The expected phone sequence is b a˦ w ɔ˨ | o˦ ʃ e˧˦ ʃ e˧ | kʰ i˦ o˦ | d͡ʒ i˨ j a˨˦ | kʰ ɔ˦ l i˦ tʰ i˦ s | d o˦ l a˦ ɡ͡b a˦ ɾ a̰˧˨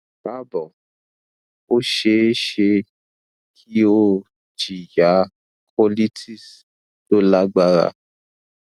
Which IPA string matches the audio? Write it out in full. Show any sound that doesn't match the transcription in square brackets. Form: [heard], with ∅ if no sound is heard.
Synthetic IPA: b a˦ [b] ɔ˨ | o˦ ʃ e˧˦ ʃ e˧ | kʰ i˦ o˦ | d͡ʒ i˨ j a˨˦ | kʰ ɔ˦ l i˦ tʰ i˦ s | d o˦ l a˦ ɡ͡b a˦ ɾ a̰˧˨